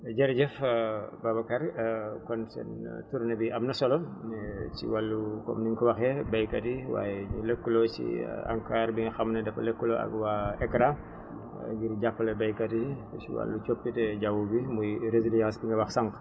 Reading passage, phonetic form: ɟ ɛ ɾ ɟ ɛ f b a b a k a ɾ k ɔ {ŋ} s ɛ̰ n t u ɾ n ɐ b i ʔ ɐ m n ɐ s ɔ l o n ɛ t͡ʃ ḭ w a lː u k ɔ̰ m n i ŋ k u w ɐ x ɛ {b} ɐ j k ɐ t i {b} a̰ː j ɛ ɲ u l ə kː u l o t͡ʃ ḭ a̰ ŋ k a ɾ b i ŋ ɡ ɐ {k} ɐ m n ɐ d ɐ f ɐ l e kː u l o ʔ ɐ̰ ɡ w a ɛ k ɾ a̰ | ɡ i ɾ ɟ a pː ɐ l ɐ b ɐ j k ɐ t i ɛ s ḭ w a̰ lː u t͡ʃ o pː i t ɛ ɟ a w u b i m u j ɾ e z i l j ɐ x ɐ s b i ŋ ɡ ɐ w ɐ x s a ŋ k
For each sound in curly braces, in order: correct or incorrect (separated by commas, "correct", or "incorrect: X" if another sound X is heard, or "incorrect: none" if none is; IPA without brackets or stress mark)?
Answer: incorrect: n, correct, incorrect: w, incorrect: x